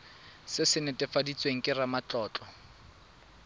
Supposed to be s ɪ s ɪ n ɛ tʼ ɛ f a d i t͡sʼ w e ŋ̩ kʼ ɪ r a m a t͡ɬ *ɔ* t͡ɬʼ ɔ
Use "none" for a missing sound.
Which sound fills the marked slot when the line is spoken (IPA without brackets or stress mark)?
ɔː